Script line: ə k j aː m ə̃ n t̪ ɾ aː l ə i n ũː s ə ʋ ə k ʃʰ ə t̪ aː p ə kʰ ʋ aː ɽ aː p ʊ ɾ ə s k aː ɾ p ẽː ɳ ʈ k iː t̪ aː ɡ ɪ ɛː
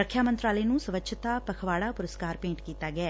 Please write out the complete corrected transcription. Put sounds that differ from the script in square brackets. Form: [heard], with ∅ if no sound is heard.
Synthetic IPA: ə [kʰ] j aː m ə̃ n t̪ ɾ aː l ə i n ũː s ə ʋ ə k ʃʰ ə t̪ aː p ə kʰ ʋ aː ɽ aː p ʊ ɾ ə s k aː ɾ p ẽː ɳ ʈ k iː t̪ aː ɡ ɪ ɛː